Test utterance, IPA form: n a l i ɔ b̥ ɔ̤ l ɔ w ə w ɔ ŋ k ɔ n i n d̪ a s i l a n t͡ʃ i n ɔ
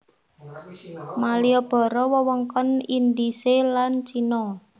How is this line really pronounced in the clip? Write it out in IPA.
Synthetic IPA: m a l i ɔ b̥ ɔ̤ ɾ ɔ w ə w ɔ ŋ k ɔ n i n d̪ i s e l a n t͡ʃ i n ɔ